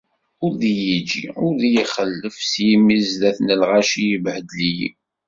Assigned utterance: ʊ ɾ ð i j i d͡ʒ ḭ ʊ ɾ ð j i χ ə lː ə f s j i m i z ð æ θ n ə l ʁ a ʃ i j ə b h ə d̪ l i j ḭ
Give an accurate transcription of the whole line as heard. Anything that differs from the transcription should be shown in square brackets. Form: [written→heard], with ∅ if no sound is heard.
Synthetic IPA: ʊ ɾ ð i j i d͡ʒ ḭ ʊ ɾ ð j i χ ə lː ə f s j i m i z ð æ θ n ə l ʁ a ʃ i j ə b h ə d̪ l i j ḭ